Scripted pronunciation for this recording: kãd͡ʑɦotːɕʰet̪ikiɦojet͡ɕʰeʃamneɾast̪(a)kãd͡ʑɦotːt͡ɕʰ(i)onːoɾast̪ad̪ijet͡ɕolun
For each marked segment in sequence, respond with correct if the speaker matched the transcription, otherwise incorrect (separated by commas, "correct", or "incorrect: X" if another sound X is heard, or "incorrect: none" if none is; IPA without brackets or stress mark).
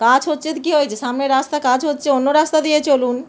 correct, incorrect: e